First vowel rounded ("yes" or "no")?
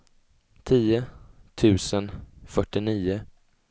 no